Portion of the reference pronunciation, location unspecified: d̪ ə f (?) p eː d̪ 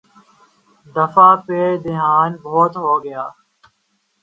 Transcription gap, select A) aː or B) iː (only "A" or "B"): A